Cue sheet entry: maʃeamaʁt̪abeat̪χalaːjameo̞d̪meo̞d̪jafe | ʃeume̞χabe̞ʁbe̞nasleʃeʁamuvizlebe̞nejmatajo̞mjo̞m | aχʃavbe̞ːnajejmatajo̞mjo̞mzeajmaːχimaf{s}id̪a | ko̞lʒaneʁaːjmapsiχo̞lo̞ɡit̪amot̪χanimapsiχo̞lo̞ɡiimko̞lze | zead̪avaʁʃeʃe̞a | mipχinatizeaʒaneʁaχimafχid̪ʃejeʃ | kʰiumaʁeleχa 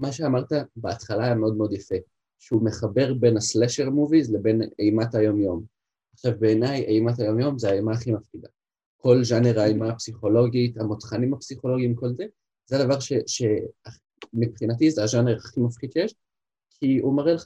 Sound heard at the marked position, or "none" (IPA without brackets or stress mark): χ